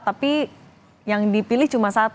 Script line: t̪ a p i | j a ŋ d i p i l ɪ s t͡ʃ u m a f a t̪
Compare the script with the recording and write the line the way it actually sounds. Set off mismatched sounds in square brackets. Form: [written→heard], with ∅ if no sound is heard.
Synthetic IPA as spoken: t̪ a p i | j a ŋ d i p i l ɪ [s→h] t͡ʃ u m a [f→s] a t̪